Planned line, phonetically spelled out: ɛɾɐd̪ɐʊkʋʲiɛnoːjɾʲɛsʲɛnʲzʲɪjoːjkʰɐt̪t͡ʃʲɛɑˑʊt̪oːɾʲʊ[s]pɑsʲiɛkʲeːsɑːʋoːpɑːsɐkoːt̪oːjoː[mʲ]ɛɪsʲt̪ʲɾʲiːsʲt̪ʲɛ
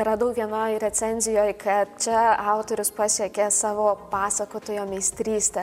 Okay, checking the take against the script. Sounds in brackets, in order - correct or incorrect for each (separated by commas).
correct, correct